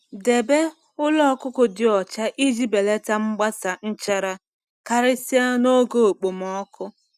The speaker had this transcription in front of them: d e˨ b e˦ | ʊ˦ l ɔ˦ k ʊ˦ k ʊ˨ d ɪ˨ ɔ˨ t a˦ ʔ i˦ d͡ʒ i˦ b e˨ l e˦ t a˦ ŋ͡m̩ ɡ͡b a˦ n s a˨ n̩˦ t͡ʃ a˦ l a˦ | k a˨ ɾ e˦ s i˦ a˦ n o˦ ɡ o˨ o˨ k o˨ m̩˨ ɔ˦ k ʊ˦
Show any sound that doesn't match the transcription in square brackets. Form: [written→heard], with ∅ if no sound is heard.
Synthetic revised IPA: d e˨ b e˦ | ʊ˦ l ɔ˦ k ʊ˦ k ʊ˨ d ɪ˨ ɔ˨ [t→t͡ʃ] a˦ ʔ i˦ d͡ʒ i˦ b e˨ l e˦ t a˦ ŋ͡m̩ ɡ͡b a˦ [n→∅] s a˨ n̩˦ t͡ʃ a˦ [l→ɾ] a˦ | k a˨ ɾ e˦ s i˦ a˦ n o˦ ɡ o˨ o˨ [k→k͡p] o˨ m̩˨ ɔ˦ k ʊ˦